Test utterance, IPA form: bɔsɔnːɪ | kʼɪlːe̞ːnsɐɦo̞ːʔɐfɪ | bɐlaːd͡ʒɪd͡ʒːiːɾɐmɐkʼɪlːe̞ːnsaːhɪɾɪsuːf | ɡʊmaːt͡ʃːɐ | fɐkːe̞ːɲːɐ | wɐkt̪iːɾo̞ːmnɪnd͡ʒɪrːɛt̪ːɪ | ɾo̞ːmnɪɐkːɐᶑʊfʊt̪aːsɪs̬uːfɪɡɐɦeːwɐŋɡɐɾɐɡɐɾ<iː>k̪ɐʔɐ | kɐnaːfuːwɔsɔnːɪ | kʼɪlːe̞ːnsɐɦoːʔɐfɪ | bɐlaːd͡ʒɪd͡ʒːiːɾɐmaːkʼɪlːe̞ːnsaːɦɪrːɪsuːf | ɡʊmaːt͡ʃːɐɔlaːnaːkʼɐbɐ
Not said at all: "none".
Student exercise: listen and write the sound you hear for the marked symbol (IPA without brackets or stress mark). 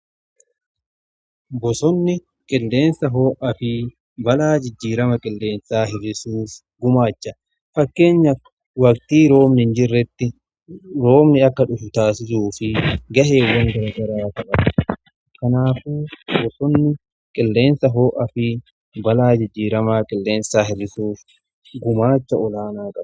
aː